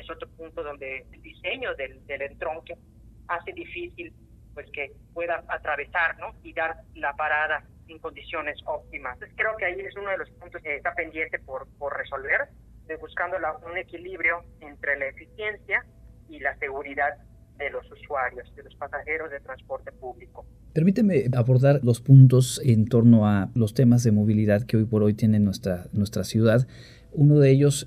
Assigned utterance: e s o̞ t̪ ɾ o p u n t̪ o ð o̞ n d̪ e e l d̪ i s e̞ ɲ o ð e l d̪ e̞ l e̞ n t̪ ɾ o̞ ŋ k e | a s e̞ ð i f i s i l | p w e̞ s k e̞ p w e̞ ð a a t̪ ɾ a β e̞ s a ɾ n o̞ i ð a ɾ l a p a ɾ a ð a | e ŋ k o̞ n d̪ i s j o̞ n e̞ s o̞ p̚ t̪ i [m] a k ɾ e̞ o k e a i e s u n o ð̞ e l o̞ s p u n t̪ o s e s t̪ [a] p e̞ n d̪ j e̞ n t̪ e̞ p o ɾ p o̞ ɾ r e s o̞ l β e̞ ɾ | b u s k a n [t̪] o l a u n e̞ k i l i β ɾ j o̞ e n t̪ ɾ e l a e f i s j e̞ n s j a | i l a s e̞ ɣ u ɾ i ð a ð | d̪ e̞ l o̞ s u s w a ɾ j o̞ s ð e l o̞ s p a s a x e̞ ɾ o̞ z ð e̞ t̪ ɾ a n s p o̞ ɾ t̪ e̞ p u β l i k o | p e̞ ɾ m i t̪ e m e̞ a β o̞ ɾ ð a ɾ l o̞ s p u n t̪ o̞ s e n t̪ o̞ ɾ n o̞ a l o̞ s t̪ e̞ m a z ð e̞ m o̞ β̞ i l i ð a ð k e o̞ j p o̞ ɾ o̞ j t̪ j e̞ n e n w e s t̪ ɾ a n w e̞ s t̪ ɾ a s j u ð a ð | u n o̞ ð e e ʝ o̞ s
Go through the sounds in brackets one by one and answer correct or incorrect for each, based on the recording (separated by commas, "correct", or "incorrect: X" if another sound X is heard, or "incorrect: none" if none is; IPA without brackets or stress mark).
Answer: correct, correct, incorrect: d̪